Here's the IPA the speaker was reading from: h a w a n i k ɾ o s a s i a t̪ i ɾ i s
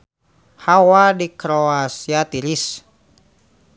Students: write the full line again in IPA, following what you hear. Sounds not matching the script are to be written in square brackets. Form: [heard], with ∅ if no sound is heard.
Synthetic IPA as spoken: h a w a [d] i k ɾ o [∅] a s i a t̪ i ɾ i s